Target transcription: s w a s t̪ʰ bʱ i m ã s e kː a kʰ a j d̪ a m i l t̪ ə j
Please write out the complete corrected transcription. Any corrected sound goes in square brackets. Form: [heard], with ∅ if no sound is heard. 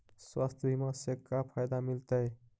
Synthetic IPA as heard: s w a s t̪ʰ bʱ i m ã s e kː a [pʰ] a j d̪ a m i l t̪ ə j